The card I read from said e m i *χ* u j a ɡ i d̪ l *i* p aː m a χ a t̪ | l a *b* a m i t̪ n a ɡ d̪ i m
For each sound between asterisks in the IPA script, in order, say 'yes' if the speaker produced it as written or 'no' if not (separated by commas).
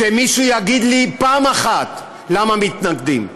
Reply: no, yes, no